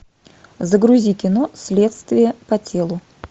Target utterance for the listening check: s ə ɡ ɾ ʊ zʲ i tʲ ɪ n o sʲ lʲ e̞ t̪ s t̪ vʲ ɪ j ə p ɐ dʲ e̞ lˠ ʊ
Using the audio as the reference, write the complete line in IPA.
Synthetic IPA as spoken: z ə ɡ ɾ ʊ zʲ i kʲ ɪ n o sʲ lʲ e̞ t̪ s t̪ vʲ ɪ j ə p ɐ tʲ e̞ lˠ ʊ